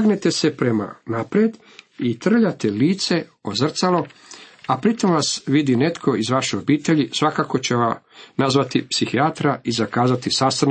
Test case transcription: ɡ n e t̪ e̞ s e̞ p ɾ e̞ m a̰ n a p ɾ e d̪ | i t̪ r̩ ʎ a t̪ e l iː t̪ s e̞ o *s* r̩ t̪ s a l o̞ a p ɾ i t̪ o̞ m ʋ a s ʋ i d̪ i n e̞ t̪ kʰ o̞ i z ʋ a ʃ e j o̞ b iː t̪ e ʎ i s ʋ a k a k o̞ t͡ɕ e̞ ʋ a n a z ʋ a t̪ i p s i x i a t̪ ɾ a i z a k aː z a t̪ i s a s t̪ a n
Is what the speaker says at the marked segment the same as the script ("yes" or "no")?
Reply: no